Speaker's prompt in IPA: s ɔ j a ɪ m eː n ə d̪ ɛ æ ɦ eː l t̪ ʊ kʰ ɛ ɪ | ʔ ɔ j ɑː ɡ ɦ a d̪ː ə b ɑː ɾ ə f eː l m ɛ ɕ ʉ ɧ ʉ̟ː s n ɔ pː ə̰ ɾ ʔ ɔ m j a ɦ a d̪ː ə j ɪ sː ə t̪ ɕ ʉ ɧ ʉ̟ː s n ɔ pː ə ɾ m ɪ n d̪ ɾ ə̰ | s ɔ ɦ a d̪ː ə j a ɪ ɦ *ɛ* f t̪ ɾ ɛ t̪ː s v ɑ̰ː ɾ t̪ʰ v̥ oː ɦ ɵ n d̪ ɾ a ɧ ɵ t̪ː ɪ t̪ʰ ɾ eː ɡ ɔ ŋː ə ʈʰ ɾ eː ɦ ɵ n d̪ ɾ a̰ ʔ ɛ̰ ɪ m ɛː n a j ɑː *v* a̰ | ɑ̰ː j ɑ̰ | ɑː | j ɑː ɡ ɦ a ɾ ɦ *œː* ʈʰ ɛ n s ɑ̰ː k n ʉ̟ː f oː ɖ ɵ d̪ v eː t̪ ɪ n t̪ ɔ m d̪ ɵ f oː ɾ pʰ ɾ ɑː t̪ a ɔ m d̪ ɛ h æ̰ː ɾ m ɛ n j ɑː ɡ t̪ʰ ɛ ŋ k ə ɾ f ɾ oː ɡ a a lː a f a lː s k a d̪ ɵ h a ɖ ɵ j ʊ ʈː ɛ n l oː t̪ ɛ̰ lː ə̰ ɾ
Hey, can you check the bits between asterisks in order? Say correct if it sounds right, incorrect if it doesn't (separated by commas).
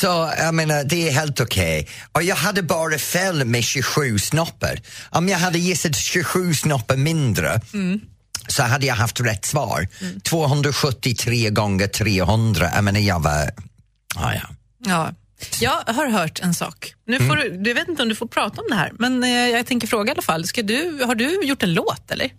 incorrect, correct, correct